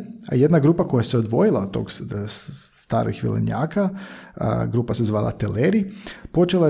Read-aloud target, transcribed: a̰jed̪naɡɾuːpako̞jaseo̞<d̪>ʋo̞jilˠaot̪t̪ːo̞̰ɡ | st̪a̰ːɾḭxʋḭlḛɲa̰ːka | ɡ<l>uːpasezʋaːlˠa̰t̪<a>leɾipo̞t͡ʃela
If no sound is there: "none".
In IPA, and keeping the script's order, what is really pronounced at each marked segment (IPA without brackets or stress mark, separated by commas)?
d̪, ɾ, e